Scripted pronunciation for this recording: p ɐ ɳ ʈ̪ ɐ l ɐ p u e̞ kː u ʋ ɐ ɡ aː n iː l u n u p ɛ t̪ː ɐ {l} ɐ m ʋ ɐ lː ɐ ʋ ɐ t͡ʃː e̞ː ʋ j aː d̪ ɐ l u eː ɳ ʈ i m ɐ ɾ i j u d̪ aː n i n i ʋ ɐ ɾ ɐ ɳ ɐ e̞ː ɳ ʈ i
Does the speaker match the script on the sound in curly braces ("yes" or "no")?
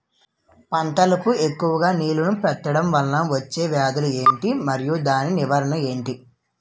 no